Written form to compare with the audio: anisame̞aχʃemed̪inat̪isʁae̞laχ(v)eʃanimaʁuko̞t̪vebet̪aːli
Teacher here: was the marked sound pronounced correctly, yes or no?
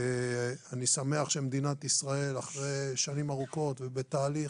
no